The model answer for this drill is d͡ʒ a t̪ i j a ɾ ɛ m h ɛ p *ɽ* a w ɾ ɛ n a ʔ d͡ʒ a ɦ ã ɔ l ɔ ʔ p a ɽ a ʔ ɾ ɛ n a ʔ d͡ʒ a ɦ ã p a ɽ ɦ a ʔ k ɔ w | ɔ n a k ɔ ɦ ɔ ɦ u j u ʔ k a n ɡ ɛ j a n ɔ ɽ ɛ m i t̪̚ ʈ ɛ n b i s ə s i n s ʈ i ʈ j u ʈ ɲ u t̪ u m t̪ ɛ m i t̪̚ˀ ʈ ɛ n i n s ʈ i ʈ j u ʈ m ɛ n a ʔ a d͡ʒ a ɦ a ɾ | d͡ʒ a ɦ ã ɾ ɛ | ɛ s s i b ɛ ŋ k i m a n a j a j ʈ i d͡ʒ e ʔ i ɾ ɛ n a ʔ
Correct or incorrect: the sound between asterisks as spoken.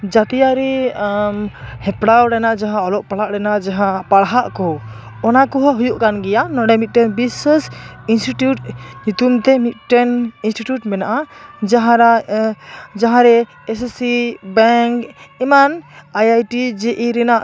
correct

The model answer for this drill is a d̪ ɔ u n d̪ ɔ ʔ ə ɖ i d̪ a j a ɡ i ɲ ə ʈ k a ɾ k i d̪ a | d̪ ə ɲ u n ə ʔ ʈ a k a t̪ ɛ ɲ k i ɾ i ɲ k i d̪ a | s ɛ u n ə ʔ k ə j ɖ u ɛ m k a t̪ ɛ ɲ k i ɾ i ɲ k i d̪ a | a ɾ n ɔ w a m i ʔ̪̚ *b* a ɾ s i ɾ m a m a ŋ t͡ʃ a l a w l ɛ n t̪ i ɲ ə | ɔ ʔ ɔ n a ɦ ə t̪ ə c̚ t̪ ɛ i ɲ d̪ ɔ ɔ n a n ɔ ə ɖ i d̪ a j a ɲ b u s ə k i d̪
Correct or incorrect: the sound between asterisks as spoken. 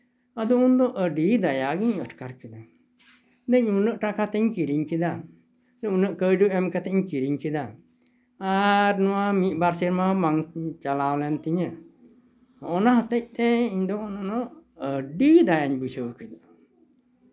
correct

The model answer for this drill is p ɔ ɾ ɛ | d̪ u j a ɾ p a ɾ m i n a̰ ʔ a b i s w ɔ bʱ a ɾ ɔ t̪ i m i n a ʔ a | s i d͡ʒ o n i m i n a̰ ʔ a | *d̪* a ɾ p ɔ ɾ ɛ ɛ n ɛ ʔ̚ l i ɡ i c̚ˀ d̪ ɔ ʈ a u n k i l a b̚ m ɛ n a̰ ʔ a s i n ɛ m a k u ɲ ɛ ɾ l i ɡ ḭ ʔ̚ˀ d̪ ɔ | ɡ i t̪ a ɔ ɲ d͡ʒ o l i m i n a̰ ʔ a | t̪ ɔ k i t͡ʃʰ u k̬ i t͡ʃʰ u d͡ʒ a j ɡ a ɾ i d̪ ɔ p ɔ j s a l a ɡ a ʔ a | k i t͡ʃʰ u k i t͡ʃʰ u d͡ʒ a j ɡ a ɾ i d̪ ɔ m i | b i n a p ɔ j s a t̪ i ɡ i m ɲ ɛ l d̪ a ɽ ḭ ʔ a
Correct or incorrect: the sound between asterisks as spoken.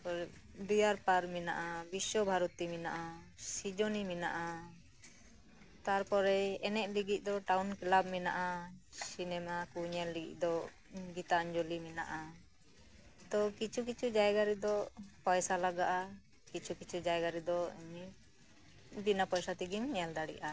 incorrect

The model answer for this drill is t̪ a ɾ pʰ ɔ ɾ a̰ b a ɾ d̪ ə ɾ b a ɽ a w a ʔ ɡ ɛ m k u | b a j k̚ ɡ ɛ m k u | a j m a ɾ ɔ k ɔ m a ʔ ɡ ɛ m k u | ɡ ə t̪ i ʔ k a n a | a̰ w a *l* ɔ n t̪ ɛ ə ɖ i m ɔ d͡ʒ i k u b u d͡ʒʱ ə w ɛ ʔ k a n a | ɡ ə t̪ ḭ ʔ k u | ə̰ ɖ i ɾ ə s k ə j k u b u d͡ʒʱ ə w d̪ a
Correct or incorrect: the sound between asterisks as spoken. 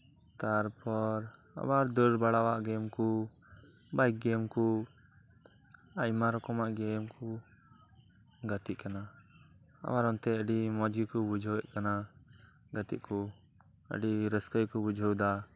incorrect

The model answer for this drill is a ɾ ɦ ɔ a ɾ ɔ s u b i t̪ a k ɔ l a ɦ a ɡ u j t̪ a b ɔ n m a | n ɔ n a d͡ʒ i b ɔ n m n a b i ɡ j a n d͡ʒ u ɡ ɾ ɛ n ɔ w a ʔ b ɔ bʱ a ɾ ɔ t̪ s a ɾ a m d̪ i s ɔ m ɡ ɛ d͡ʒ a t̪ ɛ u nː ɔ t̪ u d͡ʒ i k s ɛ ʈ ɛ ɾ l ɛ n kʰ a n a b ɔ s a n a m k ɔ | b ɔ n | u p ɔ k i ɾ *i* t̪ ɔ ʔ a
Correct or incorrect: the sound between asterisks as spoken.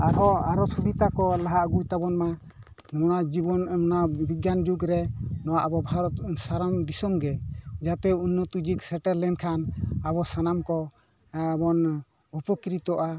correct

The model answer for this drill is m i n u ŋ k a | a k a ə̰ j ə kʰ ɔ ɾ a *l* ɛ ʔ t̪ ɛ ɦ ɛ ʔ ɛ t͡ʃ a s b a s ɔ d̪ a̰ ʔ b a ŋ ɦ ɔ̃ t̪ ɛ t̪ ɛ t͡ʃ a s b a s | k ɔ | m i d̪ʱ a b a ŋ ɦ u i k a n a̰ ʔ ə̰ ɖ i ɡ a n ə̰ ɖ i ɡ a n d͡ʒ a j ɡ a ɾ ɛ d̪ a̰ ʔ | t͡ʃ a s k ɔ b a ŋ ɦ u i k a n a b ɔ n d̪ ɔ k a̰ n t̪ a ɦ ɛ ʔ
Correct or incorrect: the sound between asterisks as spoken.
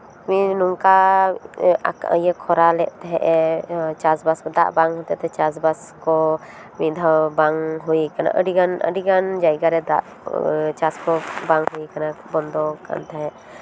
correct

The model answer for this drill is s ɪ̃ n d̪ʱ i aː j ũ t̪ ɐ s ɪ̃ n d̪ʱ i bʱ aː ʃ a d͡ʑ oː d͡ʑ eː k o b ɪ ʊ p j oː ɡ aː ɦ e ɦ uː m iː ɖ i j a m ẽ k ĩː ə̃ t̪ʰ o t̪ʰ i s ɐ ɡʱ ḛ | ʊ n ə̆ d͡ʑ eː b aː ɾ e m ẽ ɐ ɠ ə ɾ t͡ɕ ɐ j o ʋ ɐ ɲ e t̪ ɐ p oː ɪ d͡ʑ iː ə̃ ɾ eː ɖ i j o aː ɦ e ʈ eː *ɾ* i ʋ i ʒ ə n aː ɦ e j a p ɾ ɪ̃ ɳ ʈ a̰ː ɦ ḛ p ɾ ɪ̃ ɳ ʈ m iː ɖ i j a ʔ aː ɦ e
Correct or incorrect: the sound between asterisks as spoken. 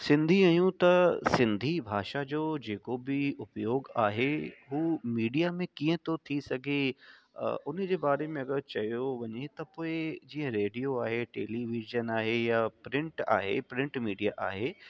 incorrect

